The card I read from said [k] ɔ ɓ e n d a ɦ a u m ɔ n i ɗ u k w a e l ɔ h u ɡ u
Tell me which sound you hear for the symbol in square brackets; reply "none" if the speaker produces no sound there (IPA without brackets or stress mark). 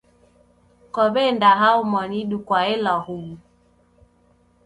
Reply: k